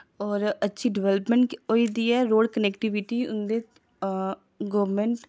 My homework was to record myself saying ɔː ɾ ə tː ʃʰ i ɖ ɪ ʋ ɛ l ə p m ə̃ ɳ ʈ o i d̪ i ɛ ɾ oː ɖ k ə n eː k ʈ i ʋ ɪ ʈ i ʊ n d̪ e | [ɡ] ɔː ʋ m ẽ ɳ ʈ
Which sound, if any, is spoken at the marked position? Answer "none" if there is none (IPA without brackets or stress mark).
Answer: ɡ